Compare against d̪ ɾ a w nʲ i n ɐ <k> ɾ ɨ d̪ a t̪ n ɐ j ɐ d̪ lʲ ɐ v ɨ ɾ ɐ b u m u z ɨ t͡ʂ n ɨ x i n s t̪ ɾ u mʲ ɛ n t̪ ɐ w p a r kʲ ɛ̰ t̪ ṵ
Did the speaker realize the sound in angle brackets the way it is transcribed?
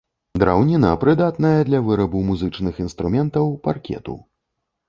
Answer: no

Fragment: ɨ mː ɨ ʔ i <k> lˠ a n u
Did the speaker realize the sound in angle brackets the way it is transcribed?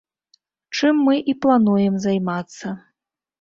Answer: no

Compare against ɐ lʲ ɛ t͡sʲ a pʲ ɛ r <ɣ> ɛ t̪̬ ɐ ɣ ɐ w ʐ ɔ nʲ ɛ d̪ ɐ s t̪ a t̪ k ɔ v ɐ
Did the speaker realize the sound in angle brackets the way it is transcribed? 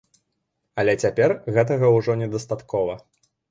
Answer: yes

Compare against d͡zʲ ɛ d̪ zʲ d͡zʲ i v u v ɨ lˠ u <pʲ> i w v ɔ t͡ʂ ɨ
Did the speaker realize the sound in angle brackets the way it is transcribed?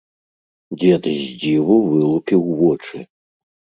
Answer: yes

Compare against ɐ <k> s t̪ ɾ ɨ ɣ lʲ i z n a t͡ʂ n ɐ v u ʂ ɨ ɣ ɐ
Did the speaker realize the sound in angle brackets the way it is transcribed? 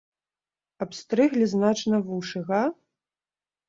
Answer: no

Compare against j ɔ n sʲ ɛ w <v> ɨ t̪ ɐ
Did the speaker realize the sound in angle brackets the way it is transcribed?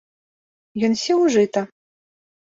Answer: no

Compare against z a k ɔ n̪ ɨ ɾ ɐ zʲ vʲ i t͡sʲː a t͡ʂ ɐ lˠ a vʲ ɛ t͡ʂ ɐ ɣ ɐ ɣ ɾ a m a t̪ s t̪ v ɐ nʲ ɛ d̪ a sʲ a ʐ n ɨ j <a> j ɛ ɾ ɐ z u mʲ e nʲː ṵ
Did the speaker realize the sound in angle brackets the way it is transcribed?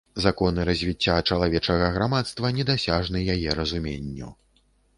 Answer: yes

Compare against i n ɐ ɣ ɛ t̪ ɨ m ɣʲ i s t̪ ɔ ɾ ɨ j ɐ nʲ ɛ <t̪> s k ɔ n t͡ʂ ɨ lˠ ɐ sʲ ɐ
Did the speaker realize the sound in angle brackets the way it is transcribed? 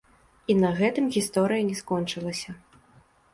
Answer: no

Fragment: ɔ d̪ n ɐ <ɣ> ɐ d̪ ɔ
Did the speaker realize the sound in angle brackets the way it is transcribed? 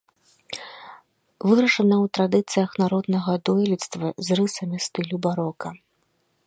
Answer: yes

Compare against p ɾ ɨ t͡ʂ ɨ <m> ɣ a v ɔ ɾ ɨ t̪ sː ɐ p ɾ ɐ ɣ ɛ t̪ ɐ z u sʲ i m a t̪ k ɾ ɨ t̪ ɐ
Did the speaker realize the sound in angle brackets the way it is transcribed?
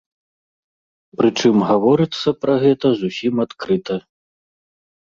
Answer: yes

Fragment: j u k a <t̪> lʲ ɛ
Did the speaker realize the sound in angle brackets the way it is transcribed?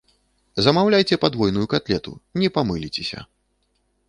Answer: yes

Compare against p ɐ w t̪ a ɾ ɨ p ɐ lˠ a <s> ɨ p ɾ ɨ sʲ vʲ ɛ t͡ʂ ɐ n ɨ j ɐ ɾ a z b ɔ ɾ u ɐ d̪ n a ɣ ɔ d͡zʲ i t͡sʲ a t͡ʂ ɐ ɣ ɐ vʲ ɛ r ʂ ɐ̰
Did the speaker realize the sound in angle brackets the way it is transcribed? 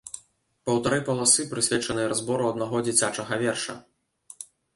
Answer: yes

